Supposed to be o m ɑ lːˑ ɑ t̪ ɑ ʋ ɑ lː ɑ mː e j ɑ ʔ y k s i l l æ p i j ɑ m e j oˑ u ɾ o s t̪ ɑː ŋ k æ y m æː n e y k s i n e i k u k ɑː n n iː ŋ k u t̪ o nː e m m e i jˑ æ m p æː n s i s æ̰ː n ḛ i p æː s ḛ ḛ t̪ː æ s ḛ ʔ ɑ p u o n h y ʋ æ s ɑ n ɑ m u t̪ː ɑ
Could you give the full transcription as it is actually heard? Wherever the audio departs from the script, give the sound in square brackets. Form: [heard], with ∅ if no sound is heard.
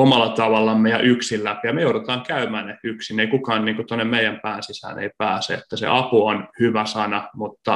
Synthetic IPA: o m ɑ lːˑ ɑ t̪ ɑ ʋ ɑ lː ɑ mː e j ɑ ʔ y k s i l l æ p i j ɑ m e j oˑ u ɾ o [∅] t̪ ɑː ŋ k æ y m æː n e y k s i n e i k u k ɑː n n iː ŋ k u t̪ o nː e m m e i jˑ æ m p æː n s i s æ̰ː n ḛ i p æː s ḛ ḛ t̪ː æ s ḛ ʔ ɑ p u o n h y ʋ æ s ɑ n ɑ m u t̪ː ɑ